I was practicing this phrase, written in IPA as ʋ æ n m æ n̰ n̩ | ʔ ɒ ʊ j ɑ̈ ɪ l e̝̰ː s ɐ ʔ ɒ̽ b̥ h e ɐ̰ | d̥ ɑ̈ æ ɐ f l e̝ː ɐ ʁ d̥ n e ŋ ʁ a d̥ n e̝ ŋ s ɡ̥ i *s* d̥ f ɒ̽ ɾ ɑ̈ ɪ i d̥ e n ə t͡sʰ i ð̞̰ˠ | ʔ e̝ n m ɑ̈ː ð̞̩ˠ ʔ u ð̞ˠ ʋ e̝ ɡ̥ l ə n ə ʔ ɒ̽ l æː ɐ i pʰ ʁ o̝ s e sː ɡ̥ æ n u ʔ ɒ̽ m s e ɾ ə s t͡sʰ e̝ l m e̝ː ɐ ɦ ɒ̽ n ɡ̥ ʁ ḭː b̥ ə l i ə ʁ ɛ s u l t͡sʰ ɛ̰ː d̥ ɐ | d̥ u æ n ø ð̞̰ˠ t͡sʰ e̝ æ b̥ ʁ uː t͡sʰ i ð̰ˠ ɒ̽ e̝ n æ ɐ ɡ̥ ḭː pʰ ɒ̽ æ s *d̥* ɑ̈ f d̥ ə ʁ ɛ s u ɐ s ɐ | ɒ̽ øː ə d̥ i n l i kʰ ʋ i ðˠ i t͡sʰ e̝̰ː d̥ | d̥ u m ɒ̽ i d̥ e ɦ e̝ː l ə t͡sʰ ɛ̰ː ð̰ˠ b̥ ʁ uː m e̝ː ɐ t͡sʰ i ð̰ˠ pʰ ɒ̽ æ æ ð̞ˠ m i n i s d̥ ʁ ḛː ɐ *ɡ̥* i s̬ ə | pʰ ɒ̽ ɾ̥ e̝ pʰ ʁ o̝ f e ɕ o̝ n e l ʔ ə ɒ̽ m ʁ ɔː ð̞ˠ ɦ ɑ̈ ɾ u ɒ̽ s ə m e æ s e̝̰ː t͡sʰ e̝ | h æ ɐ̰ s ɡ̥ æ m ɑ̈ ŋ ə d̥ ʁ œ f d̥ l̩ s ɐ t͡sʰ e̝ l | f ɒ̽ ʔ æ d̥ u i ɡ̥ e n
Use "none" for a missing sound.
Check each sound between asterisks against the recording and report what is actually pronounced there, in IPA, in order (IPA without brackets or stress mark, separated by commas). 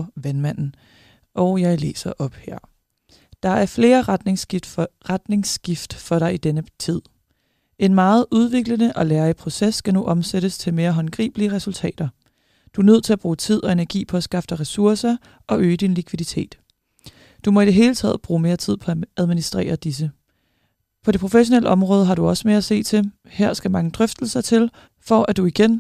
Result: f, ɡ̥, d̥